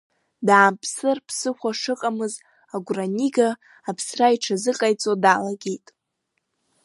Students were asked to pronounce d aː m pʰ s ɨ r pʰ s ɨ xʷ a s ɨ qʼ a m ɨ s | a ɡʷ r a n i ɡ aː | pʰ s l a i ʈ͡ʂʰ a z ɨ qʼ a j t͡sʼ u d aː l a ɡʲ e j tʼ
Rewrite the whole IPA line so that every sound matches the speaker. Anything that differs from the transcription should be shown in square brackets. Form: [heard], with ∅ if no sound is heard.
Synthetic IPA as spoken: d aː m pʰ s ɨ r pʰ s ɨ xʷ a [ʂ] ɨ qʼ a m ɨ [z] | a ɡʷ r a n i ɡ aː | pʰ s [r] a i ʈ͡ʂʰ a z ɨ qʼ a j t͡sʼ [o] d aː l a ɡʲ e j tʼ